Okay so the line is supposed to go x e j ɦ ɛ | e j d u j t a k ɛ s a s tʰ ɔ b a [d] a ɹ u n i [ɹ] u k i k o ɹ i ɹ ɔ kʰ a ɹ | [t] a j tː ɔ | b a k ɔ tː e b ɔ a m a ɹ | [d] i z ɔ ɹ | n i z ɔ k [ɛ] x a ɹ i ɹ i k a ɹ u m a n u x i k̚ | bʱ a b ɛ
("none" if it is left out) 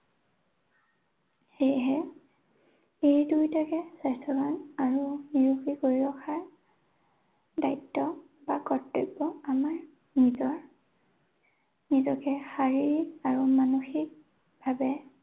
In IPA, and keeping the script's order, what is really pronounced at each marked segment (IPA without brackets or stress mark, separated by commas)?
n, ɹ, d, n, ɛ